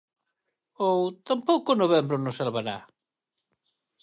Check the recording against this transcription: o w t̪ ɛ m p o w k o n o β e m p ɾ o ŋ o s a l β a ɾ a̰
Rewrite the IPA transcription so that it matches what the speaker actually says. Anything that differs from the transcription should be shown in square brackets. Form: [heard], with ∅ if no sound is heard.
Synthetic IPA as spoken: o w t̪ [a] m p o w k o n o β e m [b] ɾ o [n] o s a l β a ɾ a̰